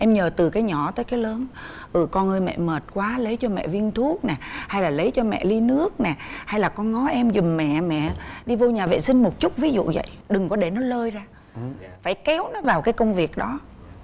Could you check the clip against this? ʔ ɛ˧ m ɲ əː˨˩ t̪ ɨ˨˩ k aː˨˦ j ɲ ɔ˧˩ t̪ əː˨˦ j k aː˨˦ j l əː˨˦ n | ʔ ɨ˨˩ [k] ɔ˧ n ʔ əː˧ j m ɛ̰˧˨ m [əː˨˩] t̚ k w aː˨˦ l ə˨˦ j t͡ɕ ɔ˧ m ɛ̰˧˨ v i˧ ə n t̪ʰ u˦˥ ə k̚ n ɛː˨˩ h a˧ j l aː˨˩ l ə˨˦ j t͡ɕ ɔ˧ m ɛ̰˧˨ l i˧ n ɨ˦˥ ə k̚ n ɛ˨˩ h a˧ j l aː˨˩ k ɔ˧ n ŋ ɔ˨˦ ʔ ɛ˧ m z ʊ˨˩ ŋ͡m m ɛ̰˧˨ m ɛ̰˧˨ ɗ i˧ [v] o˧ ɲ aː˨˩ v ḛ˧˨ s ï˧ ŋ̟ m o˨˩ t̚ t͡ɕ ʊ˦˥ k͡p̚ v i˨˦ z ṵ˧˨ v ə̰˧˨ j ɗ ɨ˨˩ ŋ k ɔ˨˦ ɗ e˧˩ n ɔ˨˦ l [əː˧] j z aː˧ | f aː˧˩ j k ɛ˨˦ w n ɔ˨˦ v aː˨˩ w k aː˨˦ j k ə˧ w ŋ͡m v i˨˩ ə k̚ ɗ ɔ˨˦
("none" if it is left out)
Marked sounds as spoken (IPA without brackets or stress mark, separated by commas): k, əː˨˩, v, əː˧